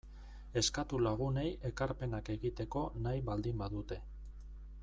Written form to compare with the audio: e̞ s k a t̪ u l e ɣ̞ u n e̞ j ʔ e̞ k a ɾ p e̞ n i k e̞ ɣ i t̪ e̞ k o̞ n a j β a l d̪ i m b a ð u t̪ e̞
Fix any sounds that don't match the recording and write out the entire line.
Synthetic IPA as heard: e̞ s k a t̪ u l a ɣ̞ u n e̞ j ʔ e̞ k a ɾ p e̞ n a k e̞ ɣ i t̪ e̞ k o̞ n a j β a l d̪ i m b a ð u t̪ e̞